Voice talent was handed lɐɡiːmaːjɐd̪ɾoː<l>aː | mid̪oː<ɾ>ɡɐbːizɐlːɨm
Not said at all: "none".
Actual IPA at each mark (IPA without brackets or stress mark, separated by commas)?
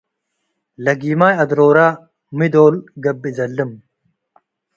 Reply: ɾ, l